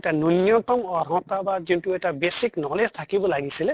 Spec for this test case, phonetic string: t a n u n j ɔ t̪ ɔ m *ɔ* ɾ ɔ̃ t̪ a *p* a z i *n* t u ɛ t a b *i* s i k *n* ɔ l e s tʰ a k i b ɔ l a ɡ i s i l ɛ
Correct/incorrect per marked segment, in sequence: correct, incorrect: b, correct, incorrect: e, correct

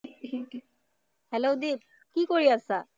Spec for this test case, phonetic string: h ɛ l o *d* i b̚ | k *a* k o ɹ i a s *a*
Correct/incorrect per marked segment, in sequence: correct, incorrect: i, correct

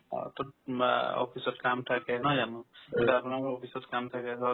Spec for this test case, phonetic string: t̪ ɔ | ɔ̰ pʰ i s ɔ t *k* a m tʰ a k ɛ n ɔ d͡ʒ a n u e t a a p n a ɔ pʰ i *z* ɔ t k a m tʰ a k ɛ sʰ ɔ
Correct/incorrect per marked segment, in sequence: correct, incorrect: s

